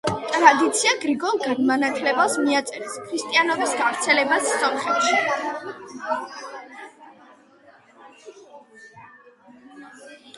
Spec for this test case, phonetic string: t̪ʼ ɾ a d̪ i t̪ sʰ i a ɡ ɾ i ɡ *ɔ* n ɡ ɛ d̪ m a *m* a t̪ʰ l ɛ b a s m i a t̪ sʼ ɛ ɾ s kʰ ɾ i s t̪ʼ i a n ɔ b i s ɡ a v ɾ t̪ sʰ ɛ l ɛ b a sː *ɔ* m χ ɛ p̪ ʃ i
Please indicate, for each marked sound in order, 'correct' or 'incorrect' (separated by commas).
correct, incorrect, correct